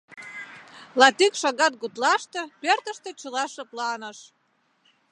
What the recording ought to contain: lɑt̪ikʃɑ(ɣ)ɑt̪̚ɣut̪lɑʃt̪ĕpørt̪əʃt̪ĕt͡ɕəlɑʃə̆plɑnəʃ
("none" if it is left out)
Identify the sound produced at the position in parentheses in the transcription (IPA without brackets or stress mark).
ɣ